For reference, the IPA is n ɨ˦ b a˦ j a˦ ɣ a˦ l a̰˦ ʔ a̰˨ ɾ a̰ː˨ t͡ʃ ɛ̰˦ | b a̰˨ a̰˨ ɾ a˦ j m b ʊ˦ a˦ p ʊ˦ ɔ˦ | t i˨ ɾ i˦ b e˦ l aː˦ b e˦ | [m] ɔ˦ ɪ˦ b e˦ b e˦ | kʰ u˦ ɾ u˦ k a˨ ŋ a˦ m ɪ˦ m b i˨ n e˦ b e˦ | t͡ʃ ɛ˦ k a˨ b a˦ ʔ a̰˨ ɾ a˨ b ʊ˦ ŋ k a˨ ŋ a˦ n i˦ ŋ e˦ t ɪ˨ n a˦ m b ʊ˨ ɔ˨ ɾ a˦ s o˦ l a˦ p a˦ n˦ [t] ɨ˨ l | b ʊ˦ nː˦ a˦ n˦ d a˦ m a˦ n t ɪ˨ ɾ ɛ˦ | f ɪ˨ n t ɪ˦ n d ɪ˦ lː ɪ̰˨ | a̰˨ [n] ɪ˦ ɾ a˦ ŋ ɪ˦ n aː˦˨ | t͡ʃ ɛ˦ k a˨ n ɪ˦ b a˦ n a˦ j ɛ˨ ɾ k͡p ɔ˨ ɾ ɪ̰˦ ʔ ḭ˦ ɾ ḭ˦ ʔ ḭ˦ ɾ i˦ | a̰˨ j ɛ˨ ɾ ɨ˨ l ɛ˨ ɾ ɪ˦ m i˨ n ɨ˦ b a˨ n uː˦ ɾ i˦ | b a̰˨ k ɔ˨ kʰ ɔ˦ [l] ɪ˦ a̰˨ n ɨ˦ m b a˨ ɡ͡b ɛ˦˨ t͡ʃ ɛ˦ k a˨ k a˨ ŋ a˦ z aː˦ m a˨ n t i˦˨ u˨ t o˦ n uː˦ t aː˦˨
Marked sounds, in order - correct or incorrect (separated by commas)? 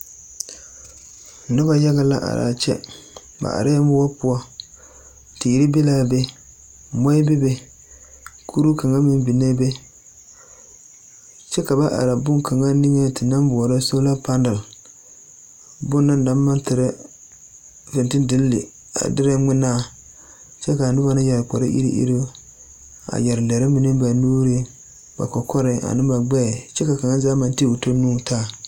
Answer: correct, incorrect, incorrect, incorrect